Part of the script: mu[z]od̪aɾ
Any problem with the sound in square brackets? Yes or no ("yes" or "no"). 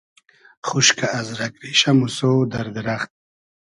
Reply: yes